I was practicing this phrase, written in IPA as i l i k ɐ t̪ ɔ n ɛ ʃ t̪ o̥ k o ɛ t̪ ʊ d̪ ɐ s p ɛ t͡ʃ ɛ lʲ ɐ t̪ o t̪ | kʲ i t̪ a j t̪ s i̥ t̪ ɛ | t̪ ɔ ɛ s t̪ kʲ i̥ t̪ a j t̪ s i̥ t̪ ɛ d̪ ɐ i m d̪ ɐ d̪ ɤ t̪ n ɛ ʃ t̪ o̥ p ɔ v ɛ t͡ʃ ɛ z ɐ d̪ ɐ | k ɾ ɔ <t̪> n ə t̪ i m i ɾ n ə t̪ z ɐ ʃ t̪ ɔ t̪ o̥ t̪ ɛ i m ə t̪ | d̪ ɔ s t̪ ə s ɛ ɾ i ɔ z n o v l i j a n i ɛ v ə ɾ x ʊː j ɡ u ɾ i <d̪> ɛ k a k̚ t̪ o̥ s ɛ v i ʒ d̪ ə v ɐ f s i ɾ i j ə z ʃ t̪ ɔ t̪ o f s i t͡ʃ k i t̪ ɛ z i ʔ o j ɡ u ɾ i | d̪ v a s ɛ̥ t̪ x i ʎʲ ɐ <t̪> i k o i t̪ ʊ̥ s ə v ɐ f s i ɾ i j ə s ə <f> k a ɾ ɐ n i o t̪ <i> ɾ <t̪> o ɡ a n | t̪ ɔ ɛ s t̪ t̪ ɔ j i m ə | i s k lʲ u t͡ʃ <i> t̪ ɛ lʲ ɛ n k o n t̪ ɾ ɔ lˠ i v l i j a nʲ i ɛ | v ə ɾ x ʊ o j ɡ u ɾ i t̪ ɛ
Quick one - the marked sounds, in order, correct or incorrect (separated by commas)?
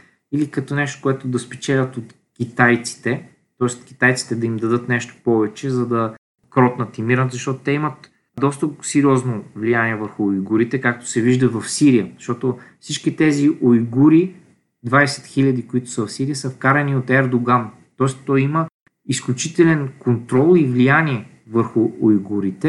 correct, incorrect, incorrect, correct, incorrect, incorrect, correct